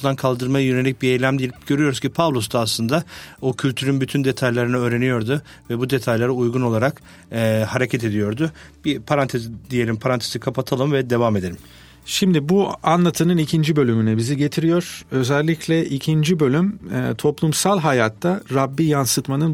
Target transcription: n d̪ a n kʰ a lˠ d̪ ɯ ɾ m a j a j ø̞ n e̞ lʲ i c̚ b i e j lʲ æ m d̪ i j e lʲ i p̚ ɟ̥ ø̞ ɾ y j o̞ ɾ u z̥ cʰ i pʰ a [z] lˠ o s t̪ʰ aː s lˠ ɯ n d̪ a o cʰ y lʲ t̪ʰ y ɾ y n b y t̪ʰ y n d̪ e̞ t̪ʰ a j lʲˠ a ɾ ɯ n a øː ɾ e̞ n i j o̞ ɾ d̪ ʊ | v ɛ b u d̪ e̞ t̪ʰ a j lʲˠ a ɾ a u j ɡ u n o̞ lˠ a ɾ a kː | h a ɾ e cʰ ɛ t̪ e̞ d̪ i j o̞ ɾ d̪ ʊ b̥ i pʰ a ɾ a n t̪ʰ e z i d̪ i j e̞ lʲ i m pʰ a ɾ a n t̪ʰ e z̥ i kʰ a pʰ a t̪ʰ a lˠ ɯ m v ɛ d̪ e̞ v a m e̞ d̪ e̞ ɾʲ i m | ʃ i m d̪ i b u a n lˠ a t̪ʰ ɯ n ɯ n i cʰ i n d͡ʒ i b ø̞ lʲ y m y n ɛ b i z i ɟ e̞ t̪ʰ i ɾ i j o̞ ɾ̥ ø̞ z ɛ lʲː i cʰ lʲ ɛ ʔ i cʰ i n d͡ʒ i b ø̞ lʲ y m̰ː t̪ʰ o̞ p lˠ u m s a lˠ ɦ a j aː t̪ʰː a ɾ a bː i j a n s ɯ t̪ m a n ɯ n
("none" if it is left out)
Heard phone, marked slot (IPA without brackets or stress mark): v